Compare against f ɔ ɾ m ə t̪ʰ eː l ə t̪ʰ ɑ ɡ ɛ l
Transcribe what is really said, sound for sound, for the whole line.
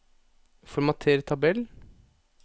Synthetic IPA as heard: f ɔ ɾ m ɑ t̪ʰ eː ɾ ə t̪ʰ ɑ b ɛ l